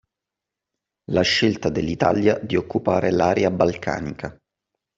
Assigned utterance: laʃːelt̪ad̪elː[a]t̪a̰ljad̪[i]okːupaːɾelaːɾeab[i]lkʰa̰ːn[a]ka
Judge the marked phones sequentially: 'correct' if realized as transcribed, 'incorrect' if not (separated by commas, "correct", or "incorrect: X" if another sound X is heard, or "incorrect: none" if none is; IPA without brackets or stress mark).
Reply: incorrect: i, correct, incorrect: a, incorrect: i